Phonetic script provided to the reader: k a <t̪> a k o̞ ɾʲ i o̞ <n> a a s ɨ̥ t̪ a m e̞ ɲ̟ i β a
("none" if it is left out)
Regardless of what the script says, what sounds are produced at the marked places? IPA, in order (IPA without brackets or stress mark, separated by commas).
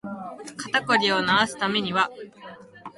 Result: t̪, n